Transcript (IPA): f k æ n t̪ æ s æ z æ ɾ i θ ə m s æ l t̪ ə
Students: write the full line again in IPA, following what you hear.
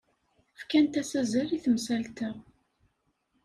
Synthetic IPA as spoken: f k æ n t̪ æ s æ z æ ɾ i θ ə m s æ l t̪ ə